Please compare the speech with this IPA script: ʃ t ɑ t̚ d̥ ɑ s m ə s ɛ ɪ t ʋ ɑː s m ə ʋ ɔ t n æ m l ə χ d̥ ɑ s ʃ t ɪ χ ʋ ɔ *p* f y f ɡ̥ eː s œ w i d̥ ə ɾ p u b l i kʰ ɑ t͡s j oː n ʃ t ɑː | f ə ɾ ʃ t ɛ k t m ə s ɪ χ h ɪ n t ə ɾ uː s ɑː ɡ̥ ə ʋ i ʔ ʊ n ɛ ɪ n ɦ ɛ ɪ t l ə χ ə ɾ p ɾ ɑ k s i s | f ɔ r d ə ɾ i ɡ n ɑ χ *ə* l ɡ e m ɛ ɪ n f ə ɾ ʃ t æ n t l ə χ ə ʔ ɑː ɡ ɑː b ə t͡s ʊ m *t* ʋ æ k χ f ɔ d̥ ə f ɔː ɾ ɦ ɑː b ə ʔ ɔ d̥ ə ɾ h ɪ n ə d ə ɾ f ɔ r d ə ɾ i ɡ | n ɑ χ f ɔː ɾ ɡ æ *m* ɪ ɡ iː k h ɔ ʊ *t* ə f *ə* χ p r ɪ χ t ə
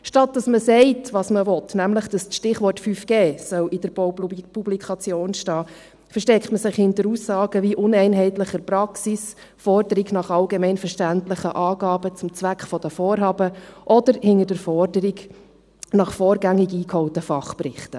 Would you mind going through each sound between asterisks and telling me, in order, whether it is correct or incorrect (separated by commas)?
incorrect, incorrect, incorrect, incorrect, correct, incorrect